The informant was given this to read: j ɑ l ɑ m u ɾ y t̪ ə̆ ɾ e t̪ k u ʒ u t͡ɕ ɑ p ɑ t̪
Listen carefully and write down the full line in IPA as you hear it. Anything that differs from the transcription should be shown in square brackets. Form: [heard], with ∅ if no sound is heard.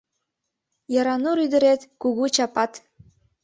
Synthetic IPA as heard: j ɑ [ɾ] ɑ [n] u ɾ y [d̪] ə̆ ɾ e t̪ k u [ɣ] u t͡ɕ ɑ p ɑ t̪